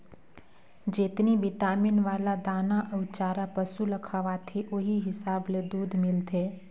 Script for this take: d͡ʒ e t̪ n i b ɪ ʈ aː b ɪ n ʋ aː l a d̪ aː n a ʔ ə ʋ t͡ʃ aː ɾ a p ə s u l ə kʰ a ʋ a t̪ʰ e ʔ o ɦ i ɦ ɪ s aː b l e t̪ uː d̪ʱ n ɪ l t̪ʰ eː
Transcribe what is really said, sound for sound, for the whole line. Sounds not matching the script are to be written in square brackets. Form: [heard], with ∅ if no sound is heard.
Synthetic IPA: d͡ʒ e t̪ n i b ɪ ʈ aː [m] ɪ n ʋ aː l a d̪ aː n a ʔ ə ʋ t͡ʃ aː ɾ a p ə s u l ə kʰ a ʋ a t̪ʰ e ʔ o ɦ i ɦ ɪ s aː b l e [d̪] uː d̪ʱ [m] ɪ l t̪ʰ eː